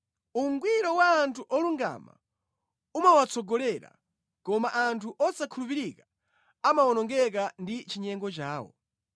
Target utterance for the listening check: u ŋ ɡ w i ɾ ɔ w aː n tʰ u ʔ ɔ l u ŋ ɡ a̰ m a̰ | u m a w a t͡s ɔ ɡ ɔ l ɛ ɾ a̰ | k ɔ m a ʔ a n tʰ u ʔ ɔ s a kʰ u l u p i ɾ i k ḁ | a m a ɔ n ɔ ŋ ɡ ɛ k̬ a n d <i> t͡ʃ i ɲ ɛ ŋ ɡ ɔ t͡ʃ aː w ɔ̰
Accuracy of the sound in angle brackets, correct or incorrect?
correct